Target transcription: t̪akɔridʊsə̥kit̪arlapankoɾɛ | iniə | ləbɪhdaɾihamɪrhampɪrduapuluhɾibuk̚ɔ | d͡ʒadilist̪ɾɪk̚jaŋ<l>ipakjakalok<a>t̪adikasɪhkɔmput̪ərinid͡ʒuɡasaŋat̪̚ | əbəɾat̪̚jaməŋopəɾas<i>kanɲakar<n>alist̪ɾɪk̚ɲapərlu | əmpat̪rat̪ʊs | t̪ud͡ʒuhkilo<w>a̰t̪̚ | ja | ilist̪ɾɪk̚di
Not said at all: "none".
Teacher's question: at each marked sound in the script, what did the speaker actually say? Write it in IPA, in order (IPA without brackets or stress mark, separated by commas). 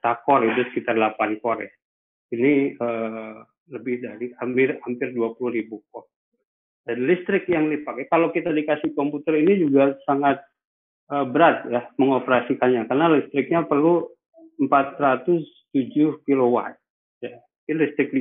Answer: l, i, i, n, w